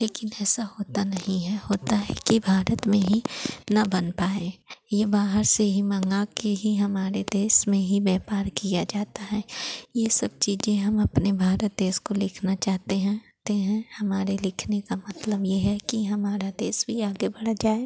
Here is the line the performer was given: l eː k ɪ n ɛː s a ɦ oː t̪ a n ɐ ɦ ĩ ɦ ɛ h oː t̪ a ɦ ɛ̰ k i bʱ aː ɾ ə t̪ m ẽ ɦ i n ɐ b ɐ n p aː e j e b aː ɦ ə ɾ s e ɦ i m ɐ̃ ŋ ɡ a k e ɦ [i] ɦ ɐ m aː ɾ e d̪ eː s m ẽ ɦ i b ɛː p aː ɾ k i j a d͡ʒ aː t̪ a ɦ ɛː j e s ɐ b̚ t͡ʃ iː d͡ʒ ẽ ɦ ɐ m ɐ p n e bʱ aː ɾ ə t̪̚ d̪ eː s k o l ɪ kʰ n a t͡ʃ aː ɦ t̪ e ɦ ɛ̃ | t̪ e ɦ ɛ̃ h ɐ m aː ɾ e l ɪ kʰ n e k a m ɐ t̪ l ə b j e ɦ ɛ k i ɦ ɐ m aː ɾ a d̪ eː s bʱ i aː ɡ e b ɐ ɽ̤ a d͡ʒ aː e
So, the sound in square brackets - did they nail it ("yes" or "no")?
yes